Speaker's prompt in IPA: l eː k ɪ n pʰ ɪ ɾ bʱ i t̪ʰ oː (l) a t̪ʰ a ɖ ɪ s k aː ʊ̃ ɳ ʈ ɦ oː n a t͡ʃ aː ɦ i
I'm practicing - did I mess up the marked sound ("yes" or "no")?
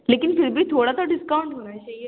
yes